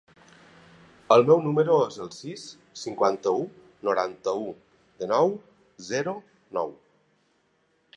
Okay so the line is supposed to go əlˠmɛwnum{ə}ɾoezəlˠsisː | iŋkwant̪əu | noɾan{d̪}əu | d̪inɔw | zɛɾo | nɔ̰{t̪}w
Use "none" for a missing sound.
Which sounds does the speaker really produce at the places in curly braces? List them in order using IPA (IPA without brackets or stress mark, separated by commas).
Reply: ə, t̪, none